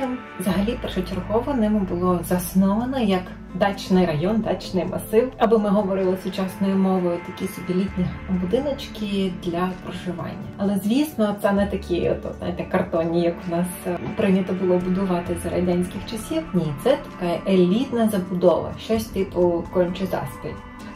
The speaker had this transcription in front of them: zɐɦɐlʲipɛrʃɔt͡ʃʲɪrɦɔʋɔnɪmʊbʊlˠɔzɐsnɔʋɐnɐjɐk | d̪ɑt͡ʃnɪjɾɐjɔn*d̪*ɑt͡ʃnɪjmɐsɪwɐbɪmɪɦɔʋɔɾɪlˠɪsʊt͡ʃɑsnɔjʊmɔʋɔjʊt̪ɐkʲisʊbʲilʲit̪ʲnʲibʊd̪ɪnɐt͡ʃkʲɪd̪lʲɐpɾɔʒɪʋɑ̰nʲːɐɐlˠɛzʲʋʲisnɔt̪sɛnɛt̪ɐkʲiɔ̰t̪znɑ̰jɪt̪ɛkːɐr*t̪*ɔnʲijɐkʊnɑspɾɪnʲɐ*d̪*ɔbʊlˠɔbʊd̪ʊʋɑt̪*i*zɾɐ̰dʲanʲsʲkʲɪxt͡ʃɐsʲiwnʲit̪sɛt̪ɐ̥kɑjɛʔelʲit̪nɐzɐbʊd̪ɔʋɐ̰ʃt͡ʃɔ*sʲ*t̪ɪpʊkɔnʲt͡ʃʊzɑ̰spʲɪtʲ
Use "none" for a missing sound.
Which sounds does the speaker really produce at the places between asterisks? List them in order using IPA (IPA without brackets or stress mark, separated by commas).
d̪, t̪, t̪, ɪ, sʲ